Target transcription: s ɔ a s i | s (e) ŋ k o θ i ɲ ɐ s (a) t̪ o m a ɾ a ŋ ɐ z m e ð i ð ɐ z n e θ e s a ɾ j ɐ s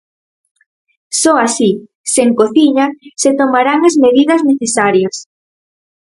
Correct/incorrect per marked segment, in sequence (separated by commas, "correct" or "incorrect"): correct, incorrect